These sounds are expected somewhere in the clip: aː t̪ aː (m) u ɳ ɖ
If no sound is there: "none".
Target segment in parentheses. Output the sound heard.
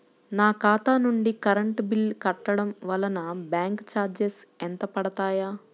n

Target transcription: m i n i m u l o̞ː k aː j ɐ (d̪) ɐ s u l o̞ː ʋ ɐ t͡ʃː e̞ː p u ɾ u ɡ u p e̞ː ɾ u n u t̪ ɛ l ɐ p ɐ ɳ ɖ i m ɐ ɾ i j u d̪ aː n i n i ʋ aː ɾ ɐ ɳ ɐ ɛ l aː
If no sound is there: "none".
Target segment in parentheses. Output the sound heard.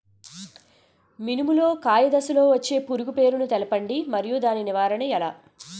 d̪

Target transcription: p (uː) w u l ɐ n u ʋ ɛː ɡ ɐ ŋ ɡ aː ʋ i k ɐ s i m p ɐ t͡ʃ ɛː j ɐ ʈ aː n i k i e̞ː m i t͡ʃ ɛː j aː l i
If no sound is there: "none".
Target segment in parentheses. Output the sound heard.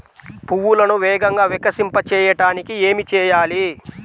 u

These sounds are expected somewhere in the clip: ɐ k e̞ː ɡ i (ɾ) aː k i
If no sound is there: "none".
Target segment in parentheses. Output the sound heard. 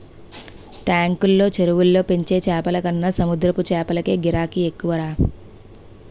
ɾ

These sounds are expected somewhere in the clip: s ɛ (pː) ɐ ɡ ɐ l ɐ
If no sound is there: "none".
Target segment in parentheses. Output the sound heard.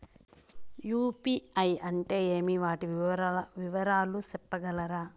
pː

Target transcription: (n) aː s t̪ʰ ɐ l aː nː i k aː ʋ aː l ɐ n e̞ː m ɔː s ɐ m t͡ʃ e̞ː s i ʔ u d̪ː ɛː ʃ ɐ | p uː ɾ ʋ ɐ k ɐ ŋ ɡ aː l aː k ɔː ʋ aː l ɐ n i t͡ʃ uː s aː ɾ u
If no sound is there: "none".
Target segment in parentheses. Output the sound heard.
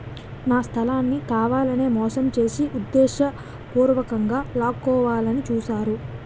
n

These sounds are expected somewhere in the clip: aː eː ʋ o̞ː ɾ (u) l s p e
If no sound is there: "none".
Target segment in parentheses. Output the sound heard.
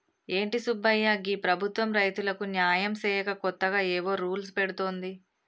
uː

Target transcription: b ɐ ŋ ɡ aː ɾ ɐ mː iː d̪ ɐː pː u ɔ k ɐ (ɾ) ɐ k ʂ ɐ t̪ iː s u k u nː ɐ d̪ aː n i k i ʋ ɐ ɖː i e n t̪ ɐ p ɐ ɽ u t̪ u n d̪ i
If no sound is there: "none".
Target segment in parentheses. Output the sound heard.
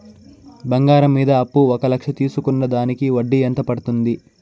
l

